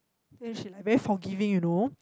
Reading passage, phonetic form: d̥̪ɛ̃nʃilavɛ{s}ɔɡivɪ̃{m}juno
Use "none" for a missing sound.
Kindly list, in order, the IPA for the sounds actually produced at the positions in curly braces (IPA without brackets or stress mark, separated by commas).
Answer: f, ŋ